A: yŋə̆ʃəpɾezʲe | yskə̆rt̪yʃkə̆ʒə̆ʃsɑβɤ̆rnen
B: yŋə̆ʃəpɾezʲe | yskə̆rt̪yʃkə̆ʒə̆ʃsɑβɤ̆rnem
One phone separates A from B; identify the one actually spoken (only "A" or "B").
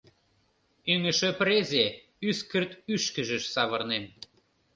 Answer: B